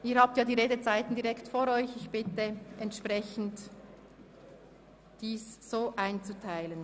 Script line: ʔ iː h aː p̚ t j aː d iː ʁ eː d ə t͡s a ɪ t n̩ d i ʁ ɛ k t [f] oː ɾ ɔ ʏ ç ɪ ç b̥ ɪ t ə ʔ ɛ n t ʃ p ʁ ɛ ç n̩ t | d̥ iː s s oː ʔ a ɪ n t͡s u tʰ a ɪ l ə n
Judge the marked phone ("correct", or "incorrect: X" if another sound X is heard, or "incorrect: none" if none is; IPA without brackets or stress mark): correct